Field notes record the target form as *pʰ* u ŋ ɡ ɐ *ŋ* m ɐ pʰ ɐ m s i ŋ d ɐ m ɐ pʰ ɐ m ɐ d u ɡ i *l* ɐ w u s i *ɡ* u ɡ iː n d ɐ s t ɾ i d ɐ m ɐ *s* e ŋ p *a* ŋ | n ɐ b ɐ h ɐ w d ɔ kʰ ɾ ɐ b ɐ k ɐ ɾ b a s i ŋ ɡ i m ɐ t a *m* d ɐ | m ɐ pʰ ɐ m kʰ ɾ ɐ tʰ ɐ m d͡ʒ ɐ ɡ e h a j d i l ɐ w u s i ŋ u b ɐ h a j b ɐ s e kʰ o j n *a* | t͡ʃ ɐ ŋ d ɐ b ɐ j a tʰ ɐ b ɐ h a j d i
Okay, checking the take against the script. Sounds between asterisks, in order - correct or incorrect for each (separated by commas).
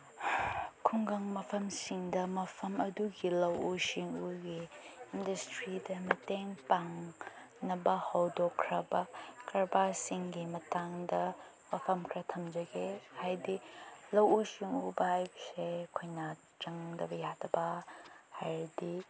incorrect, correct, correct, incorrect, incorrect, correct, incorrect, correct